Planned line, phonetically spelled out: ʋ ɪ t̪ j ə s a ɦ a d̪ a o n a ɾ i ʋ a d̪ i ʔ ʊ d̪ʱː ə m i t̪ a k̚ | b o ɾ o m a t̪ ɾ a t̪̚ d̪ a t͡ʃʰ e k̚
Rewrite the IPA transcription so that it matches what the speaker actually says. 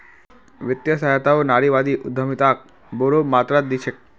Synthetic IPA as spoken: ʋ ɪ t̪ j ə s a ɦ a t̪ a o n a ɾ i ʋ a d̪ i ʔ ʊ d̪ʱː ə m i t̪ a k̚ | b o ɾ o m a t̪ ɾ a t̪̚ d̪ i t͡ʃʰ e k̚